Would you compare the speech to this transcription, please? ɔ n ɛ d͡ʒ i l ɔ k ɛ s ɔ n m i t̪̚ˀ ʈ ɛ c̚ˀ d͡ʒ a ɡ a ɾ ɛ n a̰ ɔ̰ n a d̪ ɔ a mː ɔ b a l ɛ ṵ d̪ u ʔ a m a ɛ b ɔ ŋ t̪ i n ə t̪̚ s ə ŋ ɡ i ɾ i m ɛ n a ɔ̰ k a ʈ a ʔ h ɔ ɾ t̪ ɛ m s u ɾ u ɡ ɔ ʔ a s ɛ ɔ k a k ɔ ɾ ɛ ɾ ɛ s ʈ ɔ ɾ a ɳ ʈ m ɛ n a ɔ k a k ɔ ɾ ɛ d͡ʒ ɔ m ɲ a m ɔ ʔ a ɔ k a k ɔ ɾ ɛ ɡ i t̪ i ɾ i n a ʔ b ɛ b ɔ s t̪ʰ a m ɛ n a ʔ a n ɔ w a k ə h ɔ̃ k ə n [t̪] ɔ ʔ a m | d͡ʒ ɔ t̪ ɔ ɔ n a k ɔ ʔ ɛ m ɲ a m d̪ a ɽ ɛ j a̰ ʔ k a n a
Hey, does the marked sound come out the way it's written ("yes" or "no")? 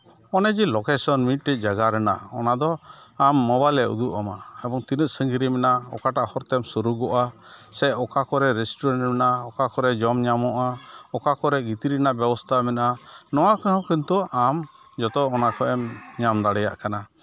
yes